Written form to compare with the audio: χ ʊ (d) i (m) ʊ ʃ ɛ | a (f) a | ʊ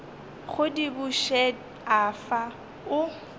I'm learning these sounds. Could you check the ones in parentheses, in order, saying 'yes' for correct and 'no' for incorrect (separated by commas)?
yes, no, yes